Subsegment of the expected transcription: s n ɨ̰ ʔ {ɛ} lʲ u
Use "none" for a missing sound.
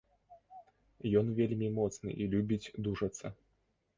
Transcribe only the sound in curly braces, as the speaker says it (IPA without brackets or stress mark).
i